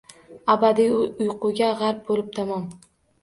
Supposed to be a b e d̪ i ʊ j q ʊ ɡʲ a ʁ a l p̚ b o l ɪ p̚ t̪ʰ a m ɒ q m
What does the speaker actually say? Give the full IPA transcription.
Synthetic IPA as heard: a b a d̪ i ʊ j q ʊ ɡʲ a ʁ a ɾ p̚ b o l ɪ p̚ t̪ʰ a m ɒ m